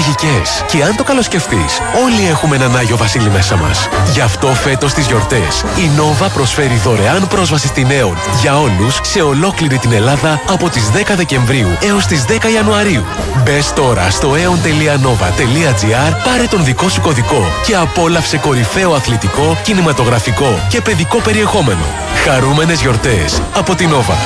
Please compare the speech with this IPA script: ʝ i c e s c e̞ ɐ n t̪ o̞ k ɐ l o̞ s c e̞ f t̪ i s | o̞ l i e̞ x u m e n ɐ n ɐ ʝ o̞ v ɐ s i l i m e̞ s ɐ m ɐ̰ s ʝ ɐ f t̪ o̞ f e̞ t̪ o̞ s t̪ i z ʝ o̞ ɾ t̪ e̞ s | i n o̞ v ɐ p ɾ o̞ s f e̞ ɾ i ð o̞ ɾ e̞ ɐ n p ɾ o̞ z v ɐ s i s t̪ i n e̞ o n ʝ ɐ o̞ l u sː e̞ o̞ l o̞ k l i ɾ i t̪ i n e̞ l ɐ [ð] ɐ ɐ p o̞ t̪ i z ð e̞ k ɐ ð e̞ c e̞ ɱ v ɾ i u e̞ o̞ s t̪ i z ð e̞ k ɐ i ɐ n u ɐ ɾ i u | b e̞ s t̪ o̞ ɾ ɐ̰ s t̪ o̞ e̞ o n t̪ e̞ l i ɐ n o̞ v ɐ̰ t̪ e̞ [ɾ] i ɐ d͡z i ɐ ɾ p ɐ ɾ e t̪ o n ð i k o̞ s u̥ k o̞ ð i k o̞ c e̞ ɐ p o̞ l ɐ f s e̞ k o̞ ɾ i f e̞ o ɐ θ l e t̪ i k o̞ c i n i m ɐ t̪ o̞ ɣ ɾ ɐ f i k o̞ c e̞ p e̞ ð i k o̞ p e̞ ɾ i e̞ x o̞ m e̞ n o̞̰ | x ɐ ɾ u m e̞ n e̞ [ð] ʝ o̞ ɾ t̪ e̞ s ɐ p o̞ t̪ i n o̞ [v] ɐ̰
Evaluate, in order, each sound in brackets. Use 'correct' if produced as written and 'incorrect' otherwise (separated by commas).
correct, incorrect, incorrect, correct